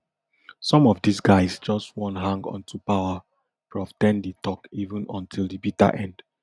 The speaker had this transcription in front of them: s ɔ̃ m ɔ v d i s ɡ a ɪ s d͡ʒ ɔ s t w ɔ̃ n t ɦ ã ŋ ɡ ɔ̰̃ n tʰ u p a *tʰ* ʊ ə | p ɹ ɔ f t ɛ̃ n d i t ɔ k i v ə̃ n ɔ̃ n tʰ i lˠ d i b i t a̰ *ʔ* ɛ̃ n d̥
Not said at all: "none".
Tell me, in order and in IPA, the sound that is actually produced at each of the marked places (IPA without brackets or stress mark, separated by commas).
none, ʔ